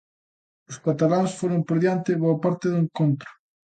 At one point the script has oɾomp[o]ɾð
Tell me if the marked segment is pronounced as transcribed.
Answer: yes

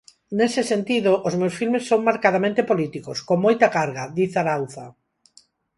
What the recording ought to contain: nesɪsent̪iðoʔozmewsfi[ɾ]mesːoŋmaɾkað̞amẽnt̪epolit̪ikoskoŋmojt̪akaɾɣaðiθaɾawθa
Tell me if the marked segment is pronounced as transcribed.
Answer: no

